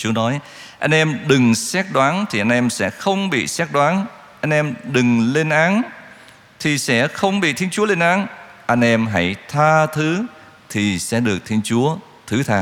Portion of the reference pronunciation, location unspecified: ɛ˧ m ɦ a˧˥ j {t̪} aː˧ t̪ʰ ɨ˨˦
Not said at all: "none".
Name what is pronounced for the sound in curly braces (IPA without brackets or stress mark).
t̪ʰ